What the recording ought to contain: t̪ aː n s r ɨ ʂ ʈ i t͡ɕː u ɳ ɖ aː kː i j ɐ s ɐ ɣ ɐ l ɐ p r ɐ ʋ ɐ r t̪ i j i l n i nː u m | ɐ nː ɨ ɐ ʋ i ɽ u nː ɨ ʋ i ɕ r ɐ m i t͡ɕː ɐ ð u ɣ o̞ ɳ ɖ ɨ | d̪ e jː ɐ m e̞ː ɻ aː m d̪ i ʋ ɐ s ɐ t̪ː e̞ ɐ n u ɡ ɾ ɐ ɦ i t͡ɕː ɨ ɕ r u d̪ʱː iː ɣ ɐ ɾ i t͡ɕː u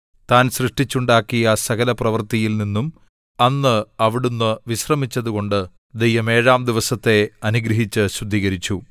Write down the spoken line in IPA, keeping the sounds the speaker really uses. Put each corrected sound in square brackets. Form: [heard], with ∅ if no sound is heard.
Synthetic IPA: t̪ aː n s r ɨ ʂ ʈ i t͡ɕː u ɳ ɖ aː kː i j ɐ s ɐ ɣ ɐ l ɐ p r ɐ ʋ ɐ r t̪ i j i l n i nː u m | ɐ nː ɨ ɐ ʋ i ɽ u nː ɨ ʋ i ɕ r ɐ m i t͡ɕː ɐ ð u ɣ o̞ ɳ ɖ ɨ | d̪ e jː ɐ m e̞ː ɻ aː m d̪ i ʋ ɐ s ɐ t̪ː e̞ ɐ n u ɡ ɾ ɐ ɦ i t͡ɕː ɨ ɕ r u d̪ʱː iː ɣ ɐ ɾ i t͡ɕː u